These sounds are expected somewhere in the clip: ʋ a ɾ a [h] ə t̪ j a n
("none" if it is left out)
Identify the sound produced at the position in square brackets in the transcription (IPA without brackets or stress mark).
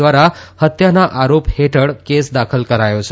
h